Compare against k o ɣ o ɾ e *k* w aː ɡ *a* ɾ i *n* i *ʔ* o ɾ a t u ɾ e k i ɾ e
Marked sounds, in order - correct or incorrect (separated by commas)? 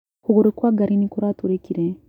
correct, correct, correct, incorrect